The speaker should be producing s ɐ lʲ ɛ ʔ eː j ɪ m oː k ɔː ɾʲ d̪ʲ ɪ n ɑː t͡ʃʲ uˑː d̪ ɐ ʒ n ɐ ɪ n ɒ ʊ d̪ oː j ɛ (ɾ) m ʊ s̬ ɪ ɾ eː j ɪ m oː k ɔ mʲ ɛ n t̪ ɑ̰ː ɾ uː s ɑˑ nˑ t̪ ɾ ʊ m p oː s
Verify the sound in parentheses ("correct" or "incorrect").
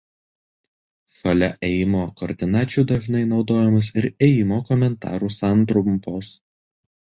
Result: incorrect